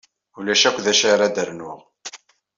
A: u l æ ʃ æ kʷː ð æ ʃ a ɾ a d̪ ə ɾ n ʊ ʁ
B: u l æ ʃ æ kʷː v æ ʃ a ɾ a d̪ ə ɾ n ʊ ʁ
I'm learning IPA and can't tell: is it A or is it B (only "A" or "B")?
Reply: A